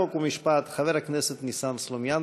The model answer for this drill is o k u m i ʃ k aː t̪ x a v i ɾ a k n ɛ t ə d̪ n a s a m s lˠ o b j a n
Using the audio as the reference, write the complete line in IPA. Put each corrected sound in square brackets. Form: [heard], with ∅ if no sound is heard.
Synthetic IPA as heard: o k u m i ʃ [p] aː t̪ x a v [ɛ] ɾ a k n ɛ [s] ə [t̪] n [i] s a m s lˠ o [m] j a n